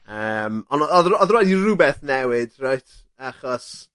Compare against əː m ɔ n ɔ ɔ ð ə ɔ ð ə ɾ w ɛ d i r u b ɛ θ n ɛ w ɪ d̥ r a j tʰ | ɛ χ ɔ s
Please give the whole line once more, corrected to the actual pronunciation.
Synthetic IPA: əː m ɔ n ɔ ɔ ð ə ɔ ð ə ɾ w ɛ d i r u b ɛ θ n ɛ w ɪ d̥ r a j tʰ | a χ ɔ s